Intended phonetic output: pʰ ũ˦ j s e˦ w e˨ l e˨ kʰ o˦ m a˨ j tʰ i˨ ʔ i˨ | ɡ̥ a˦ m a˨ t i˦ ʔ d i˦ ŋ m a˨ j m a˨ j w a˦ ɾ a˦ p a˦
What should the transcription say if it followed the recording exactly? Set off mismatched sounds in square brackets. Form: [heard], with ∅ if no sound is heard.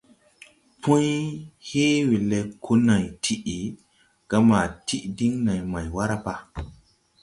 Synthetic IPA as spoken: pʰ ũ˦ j [h] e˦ w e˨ l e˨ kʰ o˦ [n] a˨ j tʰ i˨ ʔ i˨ | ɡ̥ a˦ m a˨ t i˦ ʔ d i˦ ŋ [n] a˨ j m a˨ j w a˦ ɾ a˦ p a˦